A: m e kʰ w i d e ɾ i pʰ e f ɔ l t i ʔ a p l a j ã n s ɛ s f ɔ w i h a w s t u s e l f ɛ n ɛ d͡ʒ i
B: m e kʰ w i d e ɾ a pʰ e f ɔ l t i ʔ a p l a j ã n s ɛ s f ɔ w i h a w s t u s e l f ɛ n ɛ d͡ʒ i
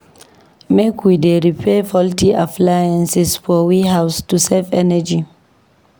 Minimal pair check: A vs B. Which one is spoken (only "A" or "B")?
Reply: A